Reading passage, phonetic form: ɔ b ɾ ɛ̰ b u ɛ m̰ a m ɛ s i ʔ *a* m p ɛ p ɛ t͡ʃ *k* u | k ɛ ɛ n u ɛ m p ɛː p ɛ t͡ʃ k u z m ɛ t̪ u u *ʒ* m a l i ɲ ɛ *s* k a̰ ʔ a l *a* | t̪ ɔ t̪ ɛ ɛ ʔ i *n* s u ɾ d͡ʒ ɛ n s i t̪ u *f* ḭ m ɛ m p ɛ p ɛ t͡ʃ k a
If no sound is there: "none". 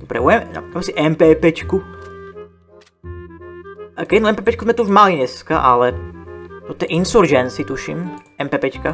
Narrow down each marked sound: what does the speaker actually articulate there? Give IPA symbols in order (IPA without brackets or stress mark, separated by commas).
ɛ, k, ʒ, s, ɛ, n, ʃ